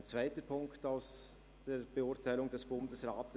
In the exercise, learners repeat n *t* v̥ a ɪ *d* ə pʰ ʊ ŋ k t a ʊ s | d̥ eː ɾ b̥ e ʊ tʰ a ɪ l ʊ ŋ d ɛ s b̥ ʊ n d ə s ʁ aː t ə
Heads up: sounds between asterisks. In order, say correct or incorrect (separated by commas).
incorrect, incorrect